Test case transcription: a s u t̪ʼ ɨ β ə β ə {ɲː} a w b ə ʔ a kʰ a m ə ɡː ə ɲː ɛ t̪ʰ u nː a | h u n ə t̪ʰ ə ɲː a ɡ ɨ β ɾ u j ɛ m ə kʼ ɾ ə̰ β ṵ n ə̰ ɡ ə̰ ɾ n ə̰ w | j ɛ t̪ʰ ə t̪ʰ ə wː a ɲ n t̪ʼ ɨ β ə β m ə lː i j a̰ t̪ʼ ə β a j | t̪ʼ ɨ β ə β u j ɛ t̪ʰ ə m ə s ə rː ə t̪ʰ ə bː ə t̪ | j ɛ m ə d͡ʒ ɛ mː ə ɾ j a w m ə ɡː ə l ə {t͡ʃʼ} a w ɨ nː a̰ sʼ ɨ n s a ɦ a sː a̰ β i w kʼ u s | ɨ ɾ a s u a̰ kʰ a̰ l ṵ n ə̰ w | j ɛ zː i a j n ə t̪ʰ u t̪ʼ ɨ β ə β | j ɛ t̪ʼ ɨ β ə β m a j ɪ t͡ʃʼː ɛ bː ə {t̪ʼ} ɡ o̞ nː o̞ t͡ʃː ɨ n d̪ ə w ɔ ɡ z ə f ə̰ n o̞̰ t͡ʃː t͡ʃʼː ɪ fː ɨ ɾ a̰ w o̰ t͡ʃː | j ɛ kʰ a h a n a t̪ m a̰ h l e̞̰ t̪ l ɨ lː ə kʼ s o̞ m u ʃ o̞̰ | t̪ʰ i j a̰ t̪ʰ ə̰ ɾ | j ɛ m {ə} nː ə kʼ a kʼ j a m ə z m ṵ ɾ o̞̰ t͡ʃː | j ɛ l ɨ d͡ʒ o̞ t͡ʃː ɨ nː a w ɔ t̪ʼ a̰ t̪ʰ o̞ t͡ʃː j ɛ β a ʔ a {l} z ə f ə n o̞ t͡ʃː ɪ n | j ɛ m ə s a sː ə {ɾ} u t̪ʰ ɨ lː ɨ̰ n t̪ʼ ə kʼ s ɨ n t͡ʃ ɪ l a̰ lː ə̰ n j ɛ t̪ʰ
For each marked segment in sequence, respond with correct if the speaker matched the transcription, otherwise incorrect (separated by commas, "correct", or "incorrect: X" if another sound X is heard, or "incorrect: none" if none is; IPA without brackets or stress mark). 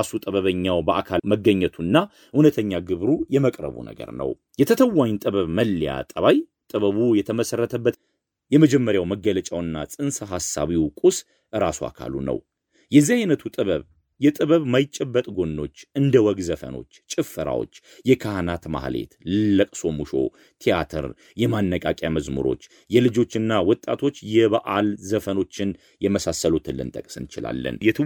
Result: correct, correct, correct, incorrect: a, correct, incorrect: l